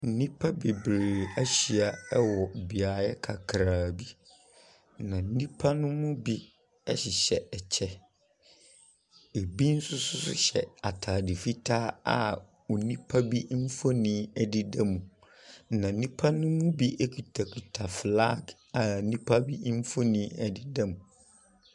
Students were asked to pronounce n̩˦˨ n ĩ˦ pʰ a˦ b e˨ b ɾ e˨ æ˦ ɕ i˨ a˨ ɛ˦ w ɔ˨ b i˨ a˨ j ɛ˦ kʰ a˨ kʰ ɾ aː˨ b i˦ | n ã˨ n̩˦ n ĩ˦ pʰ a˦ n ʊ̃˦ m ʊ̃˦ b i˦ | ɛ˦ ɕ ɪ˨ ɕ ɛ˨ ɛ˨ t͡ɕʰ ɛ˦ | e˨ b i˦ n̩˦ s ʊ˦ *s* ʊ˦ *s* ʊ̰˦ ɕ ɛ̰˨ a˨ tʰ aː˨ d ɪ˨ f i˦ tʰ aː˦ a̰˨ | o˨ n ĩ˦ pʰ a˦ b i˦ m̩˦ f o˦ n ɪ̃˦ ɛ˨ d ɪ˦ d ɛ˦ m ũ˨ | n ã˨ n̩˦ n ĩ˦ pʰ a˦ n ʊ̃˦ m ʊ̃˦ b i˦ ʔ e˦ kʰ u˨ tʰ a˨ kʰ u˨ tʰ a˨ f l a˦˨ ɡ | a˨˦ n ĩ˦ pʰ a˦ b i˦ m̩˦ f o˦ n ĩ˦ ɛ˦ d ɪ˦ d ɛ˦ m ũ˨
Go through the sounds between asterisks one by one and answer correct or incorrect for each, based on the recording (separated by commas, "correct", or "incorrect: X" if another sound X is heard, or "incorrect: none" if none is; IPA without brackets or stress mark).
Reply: correct, correct